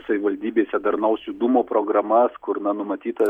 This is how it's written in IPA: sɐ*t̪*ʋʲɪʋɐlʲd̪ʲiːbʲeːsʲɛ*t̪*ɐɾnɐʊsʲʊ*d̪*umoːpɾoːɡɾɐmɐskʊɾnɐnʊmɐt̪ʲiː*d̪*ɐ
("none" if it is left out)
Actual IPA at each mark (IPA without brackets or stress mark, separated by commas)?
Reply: none, d̪, d̪, t̪